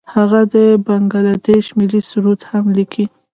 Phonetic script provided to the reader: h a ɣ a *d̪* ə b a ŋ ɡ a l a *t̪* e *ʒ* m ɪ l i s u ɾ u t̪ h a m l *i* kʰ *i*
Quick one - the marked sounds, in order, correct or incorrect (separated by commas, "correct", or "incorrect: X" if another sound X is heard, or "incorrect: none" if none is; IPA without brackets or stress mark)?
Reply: correct, incorrect: d̪, incorrect: ʃ, correct, correct